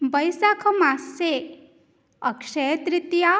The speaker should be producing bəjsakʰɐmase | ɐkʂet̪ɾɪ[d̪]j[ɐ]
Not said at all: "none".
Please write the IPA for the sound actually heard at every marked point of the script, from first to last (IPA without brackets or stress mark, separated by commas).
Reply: t̪, a